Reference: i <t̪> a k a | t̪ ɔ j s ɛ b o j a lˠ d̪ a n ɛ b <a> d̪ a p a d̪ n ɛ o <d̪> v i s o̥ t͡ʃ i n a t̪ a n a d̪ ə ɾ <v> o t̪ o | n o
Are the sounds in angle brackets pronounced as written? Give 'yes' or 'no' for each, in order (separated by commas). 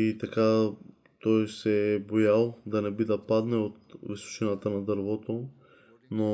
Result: yes, no, no, yes